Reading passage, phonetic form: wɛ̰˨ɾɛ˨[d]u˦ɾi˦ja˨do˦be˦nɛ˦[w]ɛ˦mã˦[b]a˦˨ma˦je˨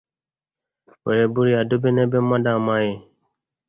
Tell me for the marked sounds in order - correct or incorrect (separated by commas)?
incorrect, incorrect, incorrect